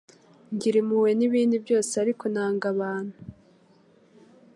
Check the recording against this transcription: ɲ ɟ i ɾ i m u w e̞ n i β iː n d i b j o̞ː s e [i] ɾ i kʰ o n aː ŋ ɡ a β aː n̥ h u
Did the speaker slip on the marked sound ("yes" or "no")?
yes